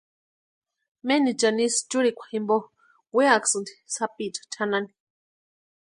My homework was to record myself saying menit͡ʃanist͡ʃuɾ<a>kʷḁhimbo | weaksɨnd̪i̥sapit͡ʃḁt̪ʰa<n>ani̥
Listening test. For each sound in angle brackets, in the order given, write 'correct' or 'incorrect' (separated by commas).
incorrect, correct